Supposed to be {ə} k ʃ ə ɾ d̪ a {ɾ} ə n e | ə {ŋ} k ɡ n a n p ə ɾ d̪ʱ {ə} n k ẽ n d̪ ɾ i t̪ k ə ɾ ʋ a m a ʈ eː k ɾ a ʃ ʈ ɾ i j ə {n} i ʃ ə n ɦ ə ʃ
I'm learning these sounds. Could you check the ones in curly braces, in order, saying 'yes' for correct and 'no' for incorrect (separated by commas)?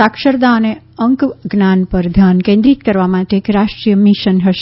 no, no, yes, no, no